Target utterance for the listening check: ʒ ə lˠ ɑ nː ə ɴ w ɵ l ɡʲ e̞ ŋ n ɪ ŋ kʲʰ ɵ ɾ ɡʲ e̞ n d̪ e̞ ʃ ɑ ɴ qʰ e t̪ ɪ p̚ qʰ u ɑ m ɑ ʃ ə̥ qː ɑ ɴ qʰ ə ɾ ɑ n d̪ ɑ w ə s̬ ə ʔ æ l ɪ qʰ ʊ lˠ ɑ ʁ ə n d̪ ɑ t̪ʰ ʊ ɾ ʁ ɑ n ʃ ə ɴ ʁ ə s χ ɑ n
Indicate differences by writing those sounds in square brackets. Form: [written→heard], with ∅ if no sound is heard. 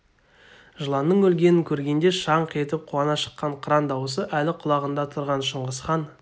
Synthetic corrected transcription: ʒ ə lˠ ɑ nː ə ɴ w ɵ l ɡʲ e̞ [ŋ→∅] n ɪ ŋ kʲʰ ɵ ɾ ɡʲ e̞ n d̪ e̞ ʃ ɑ ɴ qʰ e t̪ ɪ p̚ qʰ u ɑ [m→n] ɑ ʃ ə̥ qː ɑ ɴ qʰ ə ɾ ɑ n d̪ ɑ w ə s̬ ə ʔ æ l ɪ qʰ ʊ lˠ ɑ ʁ ə n d̪ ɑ t̪ʰ ʊ ɾ ʁ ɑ n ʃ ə ɴ ʁ ə s χ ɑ n